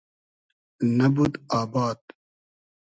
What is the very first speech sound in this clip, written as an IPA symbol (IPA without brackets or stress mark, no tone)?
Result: n